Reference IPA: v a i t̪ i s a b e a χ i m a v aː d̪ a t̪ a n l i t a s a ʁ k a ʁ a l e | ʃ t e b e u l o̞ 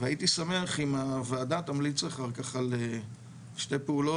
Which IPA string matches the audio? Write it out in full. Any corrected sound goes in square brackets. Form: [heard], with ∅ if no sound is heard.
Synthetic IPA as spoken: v a i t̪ i s a [m] e a χ i m a v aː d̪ a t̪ a [m] l i [t͡s] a [χ] a ʁ k a [χ] a l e | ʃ t e [p] e u l o̞